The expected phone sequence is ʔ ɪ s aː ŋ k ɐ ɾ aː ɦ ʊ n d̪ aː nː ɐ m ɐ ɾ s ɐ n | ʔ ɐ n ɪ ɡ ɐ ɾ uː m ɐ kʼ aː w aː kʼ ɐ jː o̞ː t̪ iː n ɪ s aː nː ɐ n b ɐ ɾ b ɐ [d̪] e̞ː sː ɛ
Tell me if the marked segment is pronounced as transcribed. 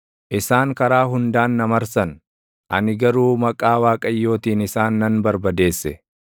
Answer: yes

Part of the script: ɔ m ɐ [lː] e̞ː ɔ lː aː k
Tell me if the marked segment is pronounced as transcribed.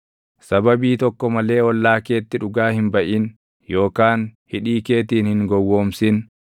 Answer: no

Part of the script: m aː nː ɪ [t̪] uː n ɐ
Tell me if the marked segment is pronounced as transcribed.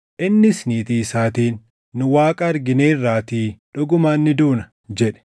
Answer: no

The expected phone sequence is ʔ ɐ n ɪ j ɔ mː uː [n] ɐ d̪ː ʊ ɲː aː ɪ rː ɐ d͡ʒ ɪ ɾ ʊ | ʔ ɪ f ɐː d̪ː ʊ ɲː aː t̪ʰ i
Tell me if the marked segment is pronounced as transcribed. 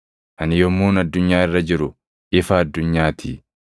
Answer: yes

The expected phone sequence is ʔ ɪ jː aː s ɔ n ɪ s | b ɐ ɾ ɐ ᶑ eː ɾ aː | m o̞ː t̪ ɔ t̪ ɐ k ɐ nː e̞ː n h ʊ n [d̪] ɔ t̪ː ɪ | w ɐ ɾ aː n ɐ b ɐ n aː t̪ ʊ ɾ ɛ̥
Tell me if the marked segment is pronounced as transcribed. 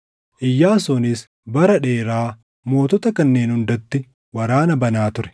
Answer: yes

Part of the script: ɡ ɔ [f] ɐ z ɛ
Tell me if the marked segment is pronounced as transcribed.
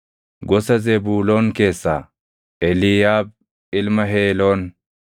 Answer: no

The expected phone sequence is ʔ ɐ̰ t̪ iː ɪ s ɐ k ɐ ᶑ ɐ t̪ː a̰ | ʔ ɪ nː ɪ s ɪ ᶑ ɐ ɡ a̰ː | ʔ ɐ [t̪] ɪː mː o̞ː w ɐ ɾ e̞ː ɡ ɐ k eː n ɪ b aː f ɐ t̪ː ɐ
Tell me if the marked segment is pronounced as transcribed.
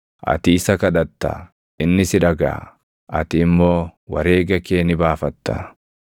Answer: yes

